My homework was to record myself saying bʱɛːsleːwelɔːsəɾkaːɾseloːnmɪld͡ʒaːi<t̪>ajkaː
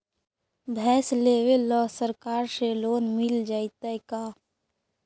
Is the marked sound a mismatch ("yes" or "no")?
no